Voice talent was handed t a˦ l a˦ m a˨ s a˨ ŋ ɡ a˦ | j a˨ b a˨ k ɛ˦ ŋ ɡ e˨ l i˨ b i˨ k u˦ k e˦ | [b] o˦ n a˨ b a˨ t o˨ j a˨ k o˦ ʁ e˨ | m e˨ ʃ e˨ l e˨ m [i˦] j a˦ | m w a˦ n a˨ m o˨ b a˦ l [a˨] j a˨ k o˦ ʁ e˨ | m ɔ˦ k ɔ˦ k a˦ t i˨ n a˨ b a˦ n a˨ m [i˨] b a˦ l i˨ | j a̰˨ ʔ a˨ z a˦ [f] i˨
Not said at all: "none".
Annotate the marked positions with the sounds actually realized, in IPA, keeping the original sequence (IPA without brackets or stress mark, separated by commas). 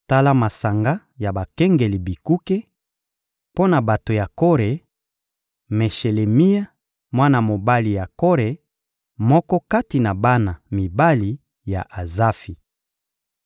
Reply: p, i˦, i˨, i˨, f